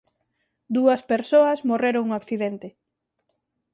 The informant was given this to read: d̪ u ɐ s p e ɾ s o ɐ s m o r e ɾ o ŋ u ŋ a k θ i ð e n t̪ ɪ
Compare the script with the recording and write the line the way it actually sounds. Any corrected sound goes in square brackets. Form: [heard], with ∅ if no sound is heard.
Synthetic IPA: d̪ u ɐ s p e ɾ s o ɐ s m o r e ɾ o ŋ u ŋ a k θ i ð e n t̪ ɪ

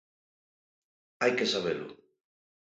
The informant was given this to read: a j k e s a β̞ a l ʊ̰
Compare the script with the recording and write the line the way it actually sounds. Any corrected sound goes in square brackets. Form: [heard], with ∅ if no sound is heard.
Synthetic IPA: a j k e s a β̞ [e] l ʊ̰

